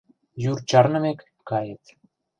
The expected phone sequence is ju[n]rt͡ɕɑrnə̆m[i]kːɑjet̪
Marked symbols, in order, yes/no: no, no

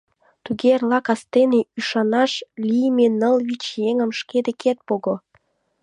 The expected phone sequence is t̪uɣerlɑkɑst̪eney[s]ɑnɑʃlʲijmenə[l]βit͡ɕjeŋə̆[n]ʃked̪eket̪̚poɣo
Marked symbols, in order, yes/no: no, yes, no

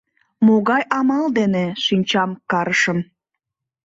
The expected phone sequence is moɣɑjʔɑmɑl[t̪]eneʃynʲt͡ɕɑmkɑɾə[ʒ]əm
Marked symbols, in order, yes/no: no, no

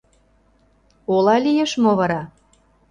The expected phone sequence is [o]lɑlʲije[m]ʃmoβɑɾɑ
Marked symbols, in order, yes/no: yes, no

